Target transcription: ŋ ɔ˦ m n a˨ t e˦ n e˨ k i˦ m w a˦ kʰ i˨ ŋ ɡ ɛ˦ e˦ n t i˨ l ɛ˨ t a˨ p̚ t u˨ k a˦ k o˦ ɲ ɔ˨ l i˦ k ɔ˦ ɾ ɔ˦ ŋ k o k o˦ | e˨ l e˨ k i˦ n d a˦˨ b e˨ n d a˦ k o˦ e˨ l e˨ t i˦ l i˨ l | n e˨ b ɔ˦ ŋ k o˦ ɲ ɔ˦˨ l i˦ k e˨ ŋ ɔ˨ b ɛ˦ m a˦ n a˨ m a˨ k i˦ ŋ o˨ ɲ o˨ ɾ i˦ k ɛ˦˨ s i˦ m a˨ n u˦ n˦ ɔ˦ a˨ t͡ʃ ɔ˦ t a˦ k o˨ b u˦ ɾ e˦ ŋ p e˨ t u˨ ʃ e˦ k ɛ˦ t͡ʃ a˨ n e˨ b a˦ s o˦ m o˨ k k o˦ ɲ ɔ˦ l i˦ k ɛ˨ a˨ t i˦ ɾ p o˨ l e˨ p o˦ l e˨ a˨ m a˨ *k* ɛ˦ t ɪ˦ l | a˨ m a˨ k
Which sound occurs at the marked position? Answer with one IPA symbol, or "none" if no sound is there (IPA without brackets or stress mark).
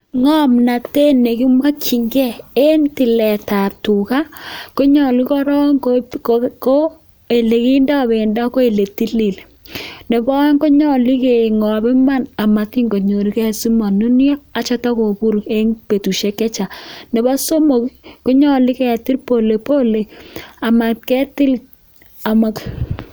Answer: k